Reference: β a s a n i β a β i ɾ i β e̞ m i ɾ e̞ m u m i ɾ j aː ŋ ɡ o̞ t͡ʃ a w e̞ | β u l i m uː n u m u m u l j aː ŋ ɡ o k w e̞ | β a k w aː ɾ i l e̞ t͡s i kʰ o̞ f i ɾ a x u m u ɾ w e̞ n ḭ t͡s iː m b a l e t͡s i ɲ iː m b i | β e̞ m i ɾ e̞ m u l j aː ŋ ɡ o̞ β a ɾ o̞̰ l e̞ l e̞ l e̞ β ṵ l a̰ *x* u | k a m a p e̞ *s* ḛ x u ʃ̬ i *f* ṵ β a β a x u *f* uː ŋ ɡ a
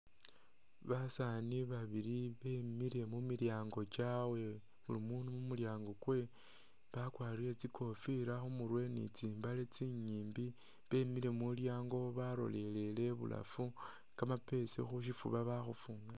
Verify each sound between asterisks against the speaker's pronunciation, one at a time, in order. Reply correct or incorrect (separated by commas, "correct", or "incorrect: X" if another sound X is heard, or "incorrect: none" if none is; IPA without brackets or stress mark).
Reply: incorrect: f, correct, correct, correct